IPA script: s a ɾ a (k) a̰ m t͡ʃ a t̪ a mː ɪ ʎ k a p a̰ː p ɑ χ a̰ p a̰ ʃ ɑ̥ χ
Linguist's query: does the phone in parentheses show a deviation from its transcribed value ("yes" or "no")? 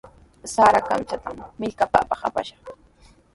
no